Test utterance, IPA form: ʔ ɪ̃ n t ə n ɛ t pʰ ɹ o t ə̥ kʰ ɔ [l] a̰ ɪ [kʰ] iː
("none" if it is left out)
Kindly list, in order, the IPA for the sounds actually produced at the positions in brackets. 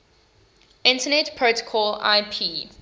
l, pʰ

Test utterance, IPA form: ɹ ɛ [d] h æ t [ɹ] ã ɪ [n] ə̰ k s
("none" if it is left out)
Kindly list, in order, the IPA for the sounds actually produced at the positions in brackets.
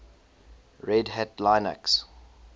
d, l, n

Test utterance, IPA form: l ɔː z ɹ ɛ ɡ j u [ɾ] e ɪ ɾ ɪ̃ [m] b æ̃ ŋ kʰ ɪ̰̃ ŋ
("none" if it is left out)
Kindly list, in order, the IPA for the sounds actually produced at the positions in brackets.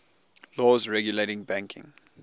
l, ŋ

